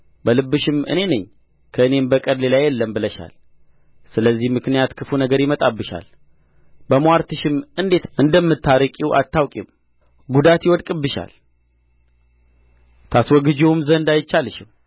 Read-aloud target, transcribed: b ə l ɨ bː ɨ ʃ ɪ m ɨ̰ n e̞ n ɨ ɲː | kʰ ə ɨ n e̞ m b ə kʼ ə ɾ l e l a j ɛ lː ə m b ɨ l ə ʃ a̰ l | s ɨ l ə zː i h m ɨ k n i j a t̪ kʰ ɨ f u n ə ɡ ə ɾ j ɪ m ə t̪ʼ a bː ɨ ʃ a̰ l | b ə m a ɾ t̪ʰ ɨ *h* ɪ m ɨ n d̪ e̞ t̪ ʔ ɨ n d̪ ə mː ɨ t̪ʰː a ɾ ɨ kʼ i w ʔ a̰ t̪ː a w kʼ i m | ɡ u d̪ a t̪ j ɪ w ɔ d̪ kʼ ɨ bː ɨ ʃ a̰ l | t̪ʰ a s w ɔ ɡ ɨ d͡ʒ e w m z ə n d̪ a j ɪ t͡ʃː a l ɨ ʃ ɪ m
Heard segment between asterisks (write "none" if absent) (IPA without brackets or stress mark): ʃ